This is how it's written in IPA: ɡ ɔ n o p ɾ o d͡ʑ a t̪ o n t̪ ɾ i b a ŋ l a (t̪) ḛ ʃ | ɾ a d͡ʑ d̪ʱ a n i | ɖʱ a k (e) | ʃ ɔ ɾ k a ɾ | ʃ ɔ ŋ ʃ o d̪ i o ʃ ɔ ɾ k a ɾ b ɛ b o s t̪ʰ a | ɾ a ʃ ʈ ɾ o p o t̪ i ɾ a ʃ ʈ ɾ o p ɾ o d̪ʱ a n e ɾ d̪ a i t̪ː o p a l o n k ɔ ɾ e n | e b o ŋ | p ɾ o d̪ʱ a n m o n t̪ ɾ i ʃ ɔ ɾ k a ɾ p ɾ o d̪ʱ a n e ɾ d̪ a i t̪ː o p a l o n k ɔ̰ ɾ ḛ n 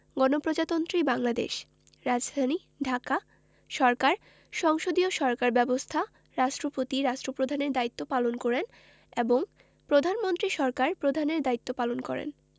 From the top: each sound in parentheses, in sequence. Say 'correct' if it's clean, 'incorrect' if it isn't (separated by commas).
incorrect, incorrect